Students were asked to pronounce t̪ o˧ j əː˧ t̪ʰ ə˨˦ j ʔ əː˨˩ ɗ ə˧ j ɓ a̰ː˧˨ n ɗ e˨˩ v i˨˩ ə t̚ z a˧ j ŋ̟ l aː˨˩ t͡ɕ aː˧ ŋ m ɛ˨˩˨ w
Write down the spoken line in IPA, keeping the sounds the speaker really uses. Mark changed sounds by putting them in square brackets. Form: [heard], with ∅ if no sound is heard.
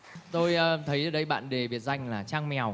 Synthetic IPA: t̪ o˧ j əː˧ t̪ʰ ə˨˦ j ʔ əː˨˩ ɗ ə˧ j ɓ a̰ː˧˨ n ɗ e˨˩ v i˨˩ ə t̚ z a˧ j ŋ̟ l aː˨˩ t͡ɕ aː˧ ŋ m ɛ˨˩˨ w

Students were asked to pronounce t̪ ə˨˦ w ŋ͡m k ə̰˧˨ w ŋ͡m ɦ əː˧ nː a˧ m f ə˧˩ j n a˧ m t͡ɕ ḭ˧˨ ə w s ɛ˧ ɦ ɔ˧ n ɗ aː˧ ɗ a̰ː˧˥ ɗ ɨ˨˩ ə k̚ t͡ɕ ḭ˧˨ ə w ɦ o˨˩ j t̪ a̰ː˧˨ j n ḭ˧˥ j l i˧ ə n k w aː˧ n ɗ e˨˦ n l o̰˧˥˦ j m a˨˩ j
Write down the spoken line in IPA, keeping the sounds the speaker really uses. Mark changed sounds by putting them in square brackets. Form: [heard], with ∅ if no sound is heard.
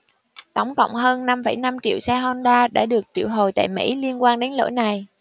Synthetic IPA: t̪ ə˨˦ w ŋ͡m k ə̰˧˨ w ŋ͡m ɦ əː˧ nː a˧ m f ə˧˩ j n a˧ m t͡ɕ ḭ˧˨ ə w s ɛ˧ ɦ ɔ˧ n ɗ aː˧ ɗ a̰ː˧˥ ɗ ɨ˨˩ ə k̚ t͡ɕ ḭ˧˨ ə w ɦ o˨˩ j t̪ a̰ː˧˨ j [m] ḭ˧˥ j l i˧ ə n k w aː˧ n ɗ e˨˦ n l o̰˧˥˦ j [n] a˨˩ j

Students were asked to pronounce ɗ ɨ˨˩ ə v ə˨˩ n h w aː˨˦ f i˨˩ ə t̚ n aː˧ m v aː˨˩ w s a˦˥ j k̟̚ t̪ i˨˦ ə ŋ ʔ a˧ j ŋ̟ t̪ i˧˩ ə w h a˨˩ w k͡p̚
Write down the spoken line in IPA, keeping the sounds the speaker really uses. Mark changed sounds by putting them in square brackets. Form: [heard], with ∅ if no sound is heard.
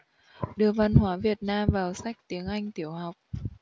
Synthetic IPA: ɗ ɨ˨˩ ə v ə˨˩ n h w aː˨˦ [v] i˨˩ ə t̚ n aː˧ m v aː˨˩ w s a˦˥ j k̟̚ t̪ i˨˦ ə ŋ ʔ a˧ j ŋ̟ t̪ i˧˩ ə w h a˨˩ w k͡p̚

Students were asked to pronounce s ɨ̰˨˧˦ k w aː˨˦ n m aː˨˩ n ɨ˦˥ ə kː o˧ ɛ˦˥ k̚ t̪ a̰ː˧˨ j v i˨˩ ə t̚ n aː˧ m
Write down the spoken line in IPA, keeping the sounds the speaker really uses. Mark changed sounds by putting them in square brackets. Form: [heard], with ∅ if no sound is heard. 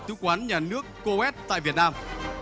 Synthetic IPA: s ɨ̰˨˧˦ k w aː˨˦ n [ɲ] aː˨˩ n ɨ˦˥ ə kː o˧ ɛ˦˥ [t̚] t̪ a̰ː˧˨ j v i˨˩ ə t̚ n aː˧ m

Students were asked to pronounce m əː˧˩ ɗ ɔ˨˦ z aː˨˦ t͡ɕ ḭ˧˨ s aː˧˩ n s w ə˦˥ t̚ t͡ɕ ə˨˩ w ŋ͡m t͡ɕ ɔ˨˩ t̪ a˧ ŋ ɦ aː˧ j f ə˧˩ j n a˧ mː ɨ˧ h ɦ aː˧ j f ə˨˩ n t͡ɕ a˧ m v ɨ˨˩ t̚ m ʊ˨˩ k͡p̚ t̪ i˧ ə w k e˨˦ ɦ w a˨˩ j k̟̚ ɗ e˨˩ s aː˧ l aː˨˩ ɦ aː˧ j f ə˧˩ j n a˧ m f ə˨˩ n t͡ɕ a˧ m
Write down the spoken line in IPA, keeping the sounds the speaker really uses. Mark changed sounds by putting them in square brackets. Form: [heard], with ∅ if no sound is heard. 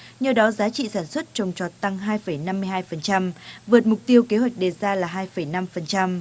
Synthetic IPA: [ɲ] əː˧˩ ɗ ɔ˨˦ z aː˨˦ t͡ɕ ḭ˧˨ s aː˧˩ n s w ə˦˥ t̚ t͡ɕ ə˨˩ w ŋ͡m t͡ɕ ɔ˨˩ t̪ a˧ ŋ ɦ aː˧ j f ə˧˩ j n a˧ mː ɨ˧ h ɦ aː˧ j f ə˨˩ n t͡ɕ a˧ m v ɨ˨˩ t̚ m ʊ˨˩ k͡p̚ t̪ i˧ ə w k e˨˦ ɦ w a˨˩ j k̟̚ ɗ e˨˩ [z] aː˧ l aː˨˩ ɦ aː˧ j f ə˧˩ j n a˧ m f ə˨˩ n t͡ɕ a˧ m

